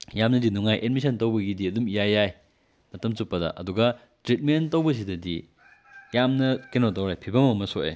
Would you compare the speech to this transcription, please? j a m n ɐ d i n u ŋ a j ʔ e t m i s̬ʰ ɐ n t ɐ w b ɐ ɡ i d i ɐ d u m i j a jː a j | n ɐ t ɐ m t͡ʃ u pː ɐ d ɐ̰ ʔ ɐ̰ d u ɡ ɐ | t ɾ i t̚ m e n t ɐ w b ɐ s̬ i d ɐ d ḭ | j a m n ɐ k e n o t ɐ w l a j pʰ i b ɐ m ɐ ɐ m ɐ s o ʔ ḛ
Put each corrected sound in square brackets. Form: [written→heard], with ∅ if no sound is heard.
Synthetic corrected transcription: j a m n ɐ d i n u ŋ a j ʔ e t m i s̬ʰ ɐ n t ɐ w b ɐ ɡ i d i ɐ d u m i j a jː a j | [n→m] ɐ t ɐ m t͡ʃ u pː ɐ d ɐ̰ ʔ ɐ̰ d u ɡ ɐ | t ɾ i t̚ m e n t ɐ w b ɐ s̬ i d ɐ d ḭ | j a m n ɐ k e n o t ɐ w [l→ɾ] a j pʰ i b ɐ m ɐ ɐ m ɐ s o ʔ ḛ